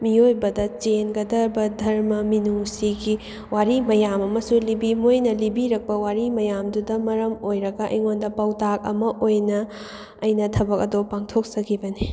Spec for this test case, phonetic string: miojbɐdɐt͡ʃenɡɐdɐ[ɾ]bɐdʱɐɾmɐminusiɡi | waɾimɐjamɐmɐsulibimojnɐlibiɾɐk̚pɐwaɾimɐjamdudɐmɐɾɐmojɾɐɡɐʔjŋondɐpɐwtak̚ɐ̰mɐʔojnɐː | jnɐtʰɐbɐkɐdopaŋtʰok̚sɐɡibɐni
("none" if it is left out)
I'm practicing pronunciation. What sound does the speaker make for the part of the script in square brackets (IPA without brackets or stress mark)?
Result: ɾ